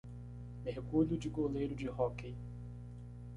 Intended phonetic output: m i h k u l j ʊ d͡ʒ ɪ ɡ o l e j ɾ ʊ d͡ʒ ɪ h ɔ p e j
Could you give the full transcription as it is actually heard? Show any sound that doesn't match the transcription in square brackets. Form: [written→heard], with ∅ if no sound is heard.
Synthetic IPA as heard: m [i→e] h k u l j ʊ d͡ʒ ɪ ɡ o l e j ɾ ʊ d͡ʒ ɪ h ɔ [p→k] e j